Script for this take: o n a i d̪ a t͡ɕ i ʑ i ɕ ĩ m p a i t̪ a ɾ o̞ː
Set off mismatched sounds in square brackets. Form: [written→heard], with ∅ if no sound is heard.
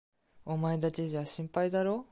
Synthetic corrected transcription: o [n→m] a [i→e] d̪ a t͡ɕ i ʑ [i→a] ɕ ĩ m p a i [t̪→d̪] a ɾ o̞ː